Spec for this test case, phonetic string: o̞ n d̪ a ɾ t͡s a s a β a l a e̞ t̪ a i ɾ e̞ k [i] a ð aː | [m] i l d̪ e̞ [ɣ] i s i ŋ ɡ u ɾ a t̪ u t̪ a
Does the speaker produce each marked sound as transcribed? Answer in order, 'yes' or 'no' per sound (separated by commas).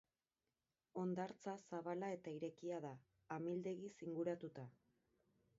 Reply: yes, yes, yes